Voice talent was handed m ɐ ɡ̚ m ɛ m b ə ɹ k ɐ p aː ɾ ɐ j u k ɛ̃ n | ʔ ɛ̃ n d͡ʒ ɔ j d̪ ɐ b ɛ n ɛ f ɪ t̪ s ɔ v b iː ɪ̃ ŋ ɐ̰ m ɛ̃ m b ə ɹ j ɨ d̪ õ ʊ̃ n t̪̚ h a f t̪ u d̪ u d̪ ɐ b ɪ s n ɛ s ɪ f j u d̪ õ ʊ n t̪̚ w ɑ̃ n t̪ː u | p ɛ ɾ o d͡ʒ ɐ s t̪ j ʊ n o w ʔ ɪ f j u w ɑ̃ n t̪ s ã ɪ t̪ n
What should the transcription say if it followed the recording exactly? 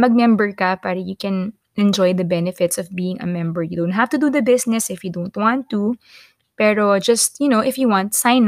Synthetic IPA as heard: m ɐ ɡ̚ m ɛ m b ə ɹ k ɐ p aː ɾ ɐ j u k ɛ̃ n | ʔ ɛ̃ n d͡ʒ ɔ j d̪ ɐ b ɛ n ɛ f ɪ t̪ s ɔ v b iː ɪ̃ ŋ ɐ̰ m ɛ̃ m b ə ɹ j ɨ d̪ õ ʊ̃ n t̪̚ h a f t̪ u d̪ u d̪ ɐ b ɪ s n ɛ s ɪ f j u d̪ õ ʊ n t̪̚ w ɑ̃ n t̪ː u | p ɛ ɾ o d͡ʒ ɐ s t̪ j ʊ n o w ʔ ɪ f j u w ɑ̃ n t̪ s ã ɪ n